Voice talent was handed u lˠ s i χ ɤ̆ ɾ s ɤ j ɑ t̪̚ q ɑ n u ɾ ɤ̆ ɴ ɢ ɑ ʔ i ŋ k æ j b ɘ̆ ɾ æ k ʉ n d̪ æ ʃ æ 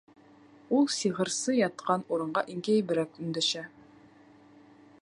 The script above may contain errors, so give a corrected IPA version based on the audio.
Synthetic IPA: u lˠ s i ʁ ɤ̆ ɾ s ɤ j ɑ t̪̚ q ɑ n u ɾ ɤ̆ ɴ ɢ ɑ ʔ i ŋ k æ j b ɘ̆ ɾ æ k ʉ n d̪ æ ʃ æ